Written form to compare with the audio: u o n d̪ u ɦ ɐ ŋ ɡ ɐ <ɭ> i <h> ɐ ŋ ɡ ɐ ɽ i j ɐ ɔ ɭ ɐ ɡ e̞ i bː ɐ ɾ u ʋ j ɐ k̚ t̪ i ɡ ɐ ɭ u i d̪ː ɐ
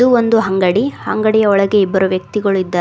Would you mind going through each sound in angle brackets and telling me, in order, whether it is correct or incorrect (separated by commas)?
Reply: incorrect, correct